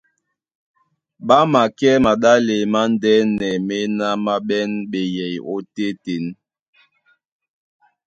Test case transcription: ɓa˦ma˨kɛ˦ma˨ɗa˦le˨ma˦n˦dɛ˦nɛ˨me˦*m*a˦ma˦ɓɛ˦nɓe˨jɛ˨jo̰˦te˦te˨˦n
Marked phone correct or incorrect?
incorrect